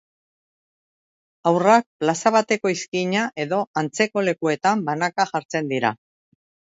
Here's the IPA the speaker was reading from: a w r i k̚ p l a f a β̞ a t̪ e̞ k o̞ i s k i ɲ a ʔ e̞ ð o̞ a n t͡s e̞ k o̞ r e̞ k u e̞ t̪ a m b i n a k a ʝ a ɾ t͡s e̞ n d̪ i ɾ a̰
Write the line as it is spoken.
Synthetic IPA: a w r a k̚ p l a s a β̞ a t̪ e̞ k o̞ i s k i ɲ a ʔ e̞ ð o̞ a n t͡s e̞ k o̞ l e̞ k u e̞ t̪ a m b a n a k a ʝ a ɾ t͡s e̞ n d̪ i ɾ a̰